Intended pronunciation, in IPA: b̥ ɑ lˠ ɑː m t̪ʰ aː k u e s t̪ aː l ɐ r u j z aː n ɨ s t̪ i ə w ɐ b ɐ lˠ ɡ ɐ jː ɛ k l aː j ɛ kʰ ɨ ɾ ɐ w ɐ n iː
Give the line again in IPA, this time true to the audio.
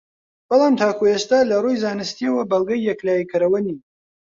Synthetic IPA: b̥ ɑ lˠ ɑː m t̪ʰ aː k u e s t̪ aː l ɐ r u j z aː n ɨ s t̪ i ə w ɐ b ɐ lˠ ɡ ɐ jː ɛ k l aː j i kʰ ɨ ɾ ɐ w ɐ n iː

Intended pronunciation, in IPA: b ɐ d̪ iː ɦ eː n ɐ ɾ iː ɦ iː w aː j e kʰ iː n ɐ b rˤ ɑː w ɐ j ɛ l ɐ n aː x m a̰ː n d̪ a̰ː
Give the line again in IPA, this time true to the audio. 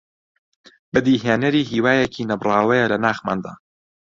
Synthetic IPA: b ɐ d̪ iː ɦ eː n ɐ ɾ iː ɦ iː w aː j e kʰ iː n ɐ b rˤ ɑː w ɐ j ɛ l ɐ n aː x m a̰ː n d̪ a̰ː

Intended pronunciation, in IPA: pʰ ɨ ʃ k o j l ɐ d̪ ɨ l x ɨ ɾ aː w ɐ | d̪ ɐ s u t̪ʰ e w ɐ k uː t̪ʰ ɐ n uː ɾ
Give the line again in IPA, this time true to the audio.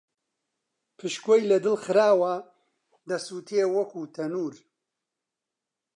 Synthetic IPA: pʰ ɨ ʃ k o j l ɐ d̪ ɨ l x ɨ ɾ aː w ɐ | d̪ ɐ s u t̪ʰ e w ɐ k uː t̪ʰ ɐ n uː ɾ

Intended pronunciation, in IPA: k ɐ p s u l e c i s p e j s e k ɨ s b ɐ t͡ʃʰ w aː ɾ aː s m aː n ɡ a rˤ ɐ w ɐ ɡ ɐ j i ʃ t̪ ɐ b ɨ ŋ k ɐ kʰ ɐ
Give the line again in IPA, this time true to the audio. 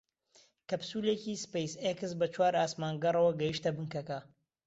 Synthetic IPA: k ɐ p s u l e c i s p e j s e k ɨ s b ɐ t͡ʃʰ w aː ɾ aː s m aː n ɡ ɐ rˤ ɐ w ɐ ɡ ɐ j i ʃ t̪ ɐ b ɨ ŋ k ɐ k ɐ

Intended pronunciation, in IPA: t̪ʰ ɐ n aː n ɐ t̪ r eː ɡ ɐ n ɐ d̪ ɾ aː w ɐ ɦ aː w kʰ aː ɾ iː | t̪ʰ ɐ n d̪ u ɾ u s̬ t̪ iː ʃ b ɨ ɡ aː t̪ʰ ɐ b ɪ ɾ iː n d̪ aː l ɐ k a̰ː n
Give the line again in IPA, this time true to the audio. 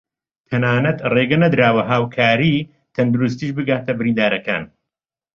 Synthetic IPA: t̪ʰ ɐ n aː n ɐ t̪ r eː ɡ ɐ n ɐ d̪ ɾ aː w ɐ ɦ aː w kʰ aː ɾ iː | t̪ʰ ɐ n d̪ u ɾ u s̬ t̪ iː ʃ b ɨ ɡ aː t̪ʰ ɐ b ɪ ɾ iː n d̪ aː ɾ ɐ k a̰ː n

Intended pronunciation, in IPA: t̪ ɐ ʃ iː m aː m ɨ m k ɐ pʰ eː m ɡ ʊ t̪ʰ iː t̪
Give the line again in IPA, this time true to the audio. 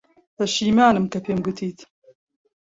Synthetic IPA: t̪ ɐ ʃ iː m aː n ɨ m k ɐ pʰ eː m ɡ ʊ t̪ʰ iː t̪

